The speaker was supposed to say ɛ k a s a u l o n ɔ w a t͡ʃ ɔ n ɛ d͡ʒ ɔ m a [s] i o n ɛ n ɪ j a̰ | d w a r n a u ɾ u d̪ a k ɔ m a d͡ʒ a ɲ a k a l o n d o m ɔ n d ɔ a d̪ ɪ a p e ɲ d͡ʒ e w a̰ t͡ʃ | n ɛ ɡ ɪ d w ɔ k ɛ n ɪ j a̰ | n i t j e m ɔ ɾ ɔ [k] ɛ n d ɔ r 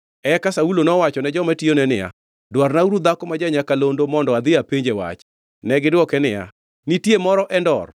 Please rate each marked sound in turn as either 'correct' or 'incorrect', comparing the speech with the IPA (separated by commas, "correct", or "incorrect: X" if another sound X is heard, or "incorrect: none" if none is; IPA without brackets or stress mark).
incorrect: t, incorrect: ʔ